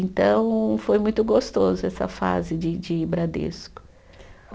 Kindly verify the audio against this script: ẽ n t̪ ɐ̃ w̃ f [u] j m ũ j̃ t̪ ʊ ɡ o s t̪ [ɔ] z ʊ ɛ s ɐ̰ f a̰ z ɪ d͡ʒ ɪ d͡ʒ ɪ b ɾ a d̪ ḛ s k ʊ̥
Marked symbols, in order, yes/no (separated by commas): no, no